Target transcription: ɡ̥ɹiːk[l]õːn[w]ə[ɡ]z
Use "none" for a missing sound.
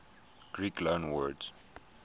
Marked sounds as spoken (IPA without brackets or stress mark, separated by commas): l, w, d